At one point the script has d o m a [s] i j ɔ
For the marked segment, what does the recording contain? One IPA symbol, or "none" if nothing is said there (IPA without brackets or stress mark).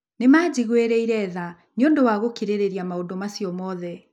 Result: s